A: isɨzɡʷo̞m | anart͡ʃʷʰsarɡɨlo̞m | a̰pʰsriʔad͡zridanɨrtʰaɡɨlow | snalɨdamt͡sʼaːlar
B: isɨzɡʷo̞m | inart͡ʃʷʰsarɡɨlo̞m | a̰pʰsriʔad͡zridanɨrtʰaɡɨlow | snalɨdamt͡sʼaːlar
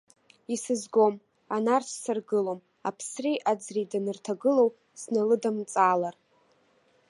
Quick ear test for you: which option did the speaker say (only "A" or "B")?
A